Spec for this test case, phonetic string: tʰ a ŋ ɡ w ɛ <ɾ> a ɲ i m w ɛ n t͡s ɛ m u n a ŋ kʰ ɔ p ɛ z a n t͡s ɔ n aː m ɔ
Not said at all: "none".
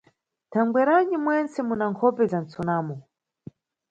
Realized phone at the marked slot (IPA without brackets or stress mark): ɾ